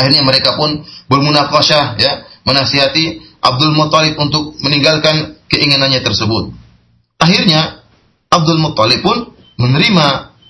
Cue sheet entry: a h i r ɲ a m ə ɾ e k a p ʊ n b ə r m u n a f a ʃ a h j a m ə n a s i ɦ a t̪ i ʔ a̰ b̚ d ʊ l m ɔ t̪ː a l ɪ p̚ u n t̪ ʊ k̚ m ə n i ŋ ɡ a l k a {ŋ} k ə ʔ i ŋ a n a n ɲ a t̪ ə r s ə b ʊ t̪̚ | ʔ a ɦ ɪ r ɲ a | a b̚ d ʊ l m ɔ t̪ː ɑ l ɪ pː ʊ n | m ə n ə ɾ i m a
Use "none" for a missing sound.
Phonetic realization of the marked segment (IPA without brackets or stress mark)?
n